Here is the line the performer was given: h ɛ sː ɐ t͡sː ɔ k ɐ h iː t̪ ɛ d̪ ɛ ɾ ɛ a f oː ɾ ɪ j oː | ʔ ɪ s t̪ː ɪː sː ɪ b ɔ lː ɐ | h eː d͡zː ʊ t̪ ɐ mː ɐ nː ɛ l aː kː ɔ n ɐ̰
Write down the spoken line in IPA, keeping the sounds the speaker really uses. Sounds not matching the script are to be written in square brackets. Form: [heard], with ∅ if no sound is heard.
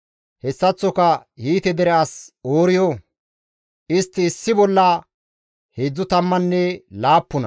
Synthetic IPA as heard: h ɛ sː ɐ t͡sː ɔ k ɐ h iː t̪ ɛ d̪ ɛ ɾ ɛ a [s] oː ɾ ɪ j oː | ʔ ɪ s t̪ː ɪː sː ɪ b ɔ lː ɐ | h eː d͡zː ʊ t̪ ɐ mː ɐ nː ɛ l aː [pː] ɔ n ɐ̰